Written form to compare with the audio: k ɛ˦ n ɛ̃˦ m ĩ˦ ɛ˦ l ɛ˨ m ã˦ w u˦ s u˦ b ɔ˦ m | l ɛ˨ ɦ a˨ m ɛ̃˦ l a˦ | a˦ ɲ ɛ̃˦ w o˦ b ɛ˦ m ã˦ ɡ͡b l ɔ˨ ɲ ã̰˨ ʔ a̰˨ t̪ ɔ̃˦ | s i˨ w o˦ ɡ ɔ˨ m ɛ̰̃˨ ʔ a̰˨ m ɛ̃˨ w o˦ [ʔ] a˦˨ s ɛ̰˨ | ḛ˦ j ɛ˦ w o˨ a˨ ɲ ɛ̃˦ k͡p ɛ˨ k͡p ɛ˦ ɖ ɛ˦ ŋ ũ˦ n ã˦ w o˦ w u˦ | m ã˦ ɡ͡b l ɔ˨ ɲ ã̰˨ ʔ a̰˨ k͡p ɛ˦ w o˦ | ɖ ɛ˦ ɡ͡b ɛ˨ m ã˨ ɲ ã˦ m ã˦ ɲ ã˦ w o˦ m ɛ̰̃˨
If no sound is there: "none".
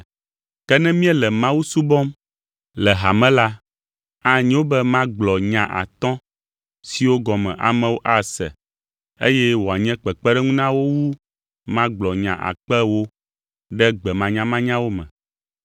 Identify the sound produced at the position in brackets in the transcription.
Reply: ʔ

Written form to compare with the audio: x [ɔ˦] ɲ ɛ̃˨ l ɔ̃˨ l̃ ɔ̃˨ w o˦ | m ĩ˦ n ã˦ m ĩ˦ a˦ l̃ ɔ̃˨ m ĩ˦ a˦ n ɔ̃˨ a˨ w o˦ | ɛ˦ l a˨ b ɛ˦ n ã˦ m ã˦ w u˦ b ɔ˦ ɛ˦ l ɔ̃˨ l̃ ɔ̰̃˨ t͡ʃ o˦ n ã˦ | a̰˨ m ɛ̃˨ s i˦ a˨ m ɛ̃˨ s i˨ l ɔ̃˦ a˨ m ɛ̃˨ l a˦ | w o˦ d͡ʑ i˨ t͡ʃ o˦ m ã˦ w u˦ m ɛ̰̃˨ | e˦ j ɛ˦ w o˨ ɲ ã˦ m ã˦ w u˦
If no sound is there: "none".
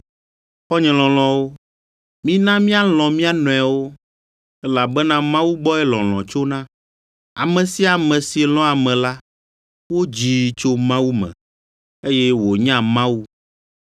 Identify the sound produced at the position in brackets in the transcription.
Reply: ɔ˦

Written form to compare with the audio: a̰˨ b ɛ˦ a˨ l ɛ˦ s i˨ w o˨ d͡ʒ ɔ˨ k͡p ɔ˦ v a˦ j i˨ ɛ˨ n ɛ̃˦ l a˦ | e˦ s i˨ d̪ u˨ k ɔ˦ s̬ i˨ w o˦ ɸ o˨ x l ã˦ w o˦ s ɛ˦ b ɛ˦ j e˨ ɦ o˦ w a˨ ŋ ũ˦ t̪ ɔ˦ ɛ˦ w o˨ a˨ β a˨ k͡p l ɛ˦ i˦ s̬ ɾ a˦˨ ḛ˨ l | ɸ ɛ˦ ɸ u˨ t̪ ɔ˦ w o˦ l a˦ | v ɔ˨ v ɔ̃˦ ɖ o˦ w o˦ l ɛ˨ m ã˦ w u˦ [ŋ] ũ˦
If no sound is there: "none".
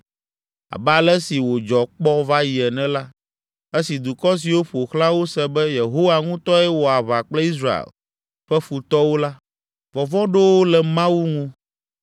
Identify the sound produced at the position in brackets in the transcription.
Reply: ŋ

